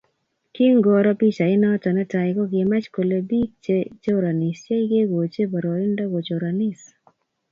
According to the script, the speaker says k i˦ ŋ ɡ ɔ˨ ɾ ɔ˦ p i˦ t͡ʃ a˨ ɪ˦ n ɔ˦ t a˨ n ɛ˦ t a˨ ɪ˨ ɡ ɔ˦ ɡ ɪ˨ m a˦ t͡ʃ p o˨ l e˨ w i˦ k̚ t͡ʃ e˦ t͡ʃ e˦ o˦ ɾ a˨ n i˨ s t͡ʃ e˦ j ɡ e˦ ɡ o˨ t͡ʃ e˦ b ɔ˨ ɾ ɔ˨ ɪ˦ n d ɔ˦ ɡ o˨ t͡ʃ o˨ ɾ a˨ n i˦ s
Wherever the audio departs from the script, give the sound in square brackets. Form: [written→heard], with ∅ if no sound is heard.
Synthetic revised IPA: k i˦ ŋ ɡ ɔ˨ ɾ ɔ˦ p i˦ t͡ʃ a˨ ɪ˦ n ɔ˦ t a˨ n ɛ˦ t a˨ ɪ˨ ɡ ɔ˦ ɡ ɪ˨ m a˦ t͡ʃ [p→k] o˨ l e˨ [w→b] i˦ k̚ t͡ʃ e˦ t͡ʃ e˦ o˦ ɾ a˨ n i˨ s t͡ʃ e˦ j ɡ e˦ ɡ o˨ t͡ʃ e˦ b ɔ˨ ɾ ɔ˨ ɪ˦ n d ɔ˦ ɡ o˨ t͡ʃ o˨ ɾ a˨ n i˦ s